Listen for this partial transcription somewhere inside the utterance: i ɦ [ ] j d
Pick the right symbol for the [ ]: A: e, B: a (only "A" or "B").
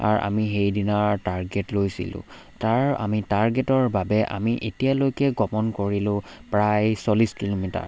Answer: A